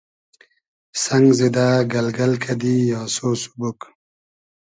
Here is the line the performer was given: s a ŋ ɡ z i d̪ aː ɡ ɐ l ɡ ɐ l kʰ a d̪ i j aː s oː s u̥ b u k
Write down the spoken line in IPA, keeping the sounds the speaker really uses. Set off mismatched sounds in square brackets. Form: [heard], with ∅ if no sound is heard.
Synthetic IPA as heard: s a ŋ ɡ z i d̪ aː ɡ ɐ l ɡ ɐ l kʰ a d̪ i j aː s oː s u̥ b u k